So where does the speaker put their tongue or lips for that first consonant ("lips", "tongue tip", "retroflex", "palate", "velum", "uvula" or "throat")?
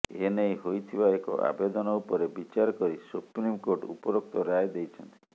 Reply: tongue tip